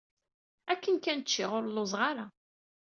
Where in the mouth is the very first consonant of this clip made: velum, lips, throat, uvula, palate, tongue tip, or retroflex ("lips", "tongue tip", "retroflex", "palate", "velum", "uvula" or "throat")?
velum